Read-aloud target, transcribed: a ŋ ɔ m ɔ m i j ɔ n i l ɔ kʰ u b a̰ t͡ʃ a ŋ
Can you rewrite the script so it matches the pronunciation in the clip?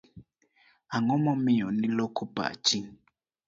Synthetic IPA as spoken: a ŋ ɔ m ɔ m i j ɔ n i l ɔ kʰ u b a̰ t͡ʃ i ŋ